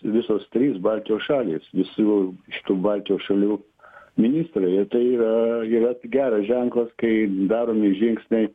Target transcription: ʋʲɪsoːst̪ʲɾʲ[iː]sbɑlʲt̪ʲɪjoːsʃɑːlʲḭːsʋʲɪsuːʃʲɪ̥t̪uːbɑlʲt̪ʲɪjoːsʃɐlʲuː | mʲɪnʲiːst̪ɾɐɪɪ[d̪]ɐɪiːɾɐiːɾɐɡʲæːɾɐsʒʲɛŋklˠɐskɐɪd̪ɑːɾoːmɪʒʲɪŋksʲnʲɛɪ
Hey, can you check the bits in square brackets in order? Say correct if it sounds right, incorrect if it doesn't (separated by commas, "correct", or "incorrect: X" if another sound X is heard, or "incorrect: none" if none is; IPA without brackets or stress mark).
correct, incorrect: t̪